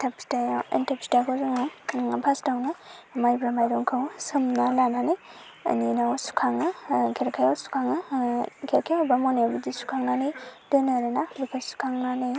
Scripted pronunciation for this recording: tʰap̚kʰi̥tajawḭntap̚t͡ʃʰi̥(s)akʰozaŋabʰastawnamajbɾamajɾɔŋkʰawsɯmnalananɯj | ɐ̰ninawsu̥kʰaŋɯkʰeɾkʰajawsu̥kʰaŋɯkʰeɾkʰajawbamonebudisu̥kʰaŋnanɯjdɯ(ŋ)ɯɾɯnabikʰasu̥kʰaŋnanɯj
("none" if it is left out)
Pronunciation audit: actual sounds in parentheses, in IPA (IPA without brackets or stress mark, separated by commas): t, n